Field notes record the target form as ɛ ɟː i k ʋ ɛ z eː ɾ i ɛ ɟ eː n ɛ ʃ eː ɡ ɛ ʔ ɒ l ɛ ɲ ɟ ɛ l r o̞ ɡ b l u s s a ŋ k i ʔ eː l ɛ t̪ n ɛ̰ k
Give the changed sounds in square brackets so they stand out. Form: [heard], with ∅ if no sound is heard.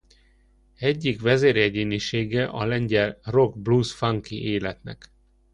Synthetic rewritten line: ɛ ɟː i k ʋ ɛ z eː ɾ [j] ɛ ɟ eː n [i] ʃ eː ɡ ɛ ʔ ɒ l ɛ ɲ ɟ ɛ l r o̞ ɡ b l u s [f] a ŋ k i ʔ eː l ɛ t̪ n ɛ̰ k